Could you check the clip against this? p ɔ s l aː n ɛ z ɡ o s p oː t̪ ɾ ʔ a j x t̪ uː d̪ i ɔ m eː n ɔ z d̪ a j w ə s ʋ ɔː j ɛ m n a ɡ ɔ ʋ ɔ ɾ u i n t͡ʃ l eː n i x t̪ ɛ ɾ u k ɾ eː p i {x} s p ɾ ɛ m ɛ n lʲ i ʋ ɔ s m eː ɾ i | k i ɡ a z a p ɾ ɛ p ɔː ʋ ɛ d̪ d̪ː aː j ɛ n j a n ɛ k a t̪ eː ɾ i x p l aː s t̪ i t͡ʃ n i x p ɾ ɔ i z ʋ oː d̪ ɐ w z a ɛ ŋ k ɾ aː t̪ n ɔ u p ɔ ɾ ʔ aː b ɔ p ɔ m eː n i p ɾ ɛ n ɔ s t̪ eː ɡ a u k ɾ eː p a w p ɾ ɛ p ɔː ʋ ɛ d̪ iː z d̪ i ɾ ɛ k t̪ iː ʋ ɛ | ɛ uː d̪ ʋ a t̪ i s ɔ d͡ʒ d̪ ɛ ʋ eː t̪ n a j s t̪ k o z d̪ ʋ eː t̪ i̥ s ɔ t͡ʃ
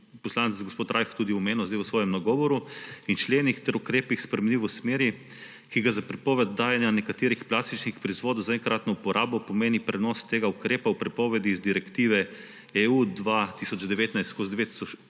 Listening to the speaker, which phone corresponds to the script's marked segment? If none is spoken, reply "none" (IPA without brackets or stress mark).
x